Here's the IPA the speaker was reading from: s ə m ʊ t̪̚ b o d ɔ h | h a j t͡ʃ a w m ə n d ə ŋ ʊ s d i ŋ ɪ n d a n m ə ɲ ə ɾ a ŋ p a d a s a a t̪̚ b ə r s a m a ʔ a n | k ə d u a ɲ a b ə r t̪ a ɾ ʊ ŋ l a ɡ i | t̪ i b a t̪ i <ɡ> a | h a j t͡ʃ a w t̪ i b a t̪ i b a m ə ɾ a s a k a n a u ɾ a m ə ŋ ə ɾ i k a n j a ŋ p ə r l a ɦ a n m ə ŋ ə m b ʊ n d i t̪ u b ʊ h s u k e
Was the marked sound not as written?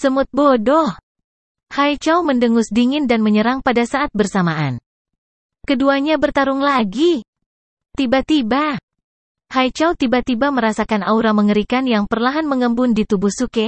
yes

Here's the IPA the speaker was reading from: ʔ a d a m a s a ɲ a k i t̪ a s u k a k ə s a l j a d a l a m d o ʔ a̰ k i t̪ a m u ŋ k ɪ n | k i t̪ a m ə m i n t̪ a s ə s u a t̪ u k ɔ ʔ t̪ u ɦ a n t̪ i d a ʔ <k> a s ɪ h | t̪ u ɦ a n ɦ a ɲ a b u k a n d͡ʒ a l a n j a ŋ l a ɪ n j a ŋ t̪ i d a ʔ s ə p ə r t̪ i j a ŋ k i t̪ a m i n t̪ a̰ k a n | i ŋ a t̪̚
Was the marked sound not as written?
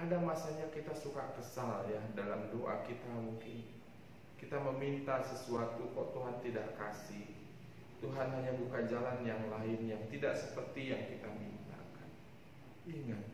no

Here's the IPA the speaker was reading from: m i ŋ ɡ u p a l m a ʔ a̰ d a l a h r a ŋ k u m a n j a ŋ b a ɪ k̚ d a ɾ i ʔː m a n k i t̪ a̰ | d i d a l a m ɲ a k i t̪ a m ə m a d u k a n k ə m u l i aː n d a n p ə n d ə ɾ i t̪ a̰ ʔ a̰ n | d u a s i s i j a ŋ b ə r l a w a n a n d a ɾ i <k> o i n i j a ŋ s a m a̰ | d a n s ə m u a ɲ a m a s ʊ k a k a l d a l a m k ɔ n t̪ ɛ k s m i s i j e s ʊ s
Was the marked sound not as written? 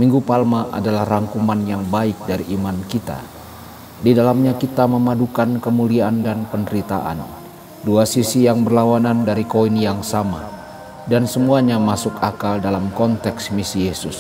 no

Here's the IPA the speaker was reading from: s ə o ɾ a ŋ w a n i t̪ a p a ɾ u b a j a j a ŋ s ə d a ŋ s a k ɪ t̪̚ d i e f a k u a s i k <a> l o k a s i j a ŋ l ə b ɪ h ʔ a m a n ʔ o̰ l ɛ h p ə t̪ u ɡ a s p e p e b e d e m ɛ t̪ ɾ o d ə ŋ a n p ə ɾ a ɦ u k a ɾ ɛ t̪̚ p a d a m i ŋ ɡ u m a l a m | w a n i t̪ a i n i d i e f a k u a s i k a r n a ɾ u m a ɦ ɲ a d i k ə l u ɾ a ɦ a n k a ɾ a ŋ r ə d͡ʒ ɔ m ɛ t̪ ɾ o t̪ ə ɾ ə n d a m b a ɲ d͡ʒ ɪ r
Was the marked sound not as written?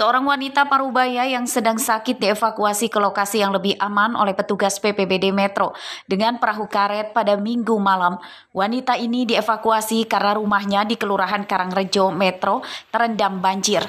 yes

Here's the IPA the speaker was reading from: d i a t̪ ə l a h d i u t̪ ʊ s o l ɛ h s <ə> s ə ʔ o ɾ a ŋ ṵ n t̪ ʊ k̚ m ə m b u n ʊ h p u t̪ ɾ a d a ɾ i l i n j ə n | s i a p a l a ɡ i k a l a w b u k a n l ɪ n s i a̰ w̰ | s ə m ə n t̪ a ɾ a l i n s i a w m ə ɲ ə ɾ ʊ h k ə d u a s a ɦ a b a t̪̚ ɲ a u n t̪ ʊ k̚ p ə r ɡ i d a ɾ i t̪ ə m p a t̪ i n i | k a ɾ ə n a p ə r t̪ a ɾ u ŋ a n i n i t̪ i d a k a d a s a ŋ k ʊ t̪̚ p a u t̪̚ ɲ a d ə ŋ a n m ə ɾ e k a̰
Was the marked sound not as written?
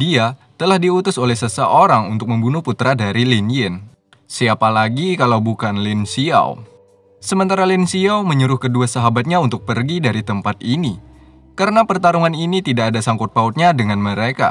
no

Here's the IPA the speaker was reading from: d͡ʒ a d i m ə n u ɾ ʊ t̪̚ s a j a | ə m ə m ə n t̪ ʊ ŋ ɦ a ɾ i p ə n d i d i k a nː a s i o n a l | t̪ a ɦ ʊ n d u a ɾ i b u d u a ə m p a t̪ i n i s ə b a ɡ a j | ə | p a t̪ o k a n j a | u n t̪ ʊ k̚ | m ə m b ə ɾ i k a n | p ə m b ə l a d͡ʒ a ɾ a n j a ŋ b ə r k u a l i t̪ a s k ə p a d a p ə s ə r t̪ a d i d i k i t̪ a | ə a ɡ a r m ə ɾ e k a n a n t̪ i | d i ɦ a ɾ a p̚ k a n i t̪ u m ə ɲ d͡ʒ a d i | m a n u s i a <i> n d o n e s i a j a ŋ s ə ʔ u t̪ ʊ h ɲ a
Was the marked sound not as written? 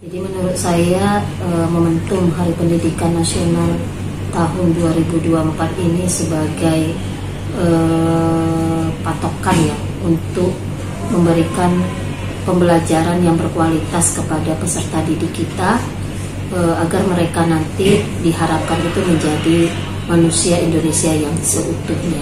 no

